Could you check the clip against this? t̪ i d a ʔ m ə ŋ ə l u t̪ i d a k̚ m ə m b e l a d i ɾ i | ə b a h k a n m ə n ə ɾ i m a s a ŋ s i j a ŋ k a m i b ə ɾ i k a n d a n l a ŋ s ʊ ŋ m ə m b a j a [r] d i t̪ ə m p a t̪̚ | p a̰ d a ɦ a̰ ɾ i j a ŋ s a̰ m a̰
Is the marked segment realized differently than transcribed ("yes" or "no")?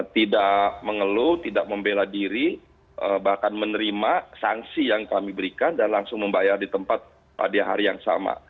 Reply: no